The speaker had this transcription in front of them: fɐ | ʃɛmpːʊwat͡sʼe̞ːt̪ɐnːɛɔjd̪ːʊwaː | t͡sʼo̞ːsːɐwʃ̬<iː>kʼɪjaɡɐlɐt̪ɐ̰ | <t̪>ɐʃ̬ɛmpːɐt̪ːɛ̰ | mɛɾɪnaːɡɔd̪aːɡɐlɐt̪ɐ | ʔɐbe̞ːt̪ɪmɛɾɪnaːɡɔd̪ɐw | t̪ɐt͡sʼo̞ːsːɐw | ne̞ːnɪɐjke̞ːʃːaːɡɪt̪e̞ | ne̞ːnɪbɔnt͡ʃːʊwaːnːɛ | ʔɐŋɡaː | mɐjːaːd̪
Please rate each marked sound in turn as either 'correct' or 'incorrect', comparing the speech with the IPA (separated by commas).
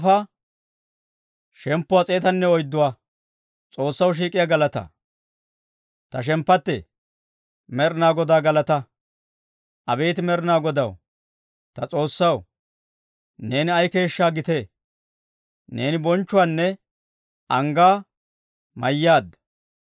correct, correct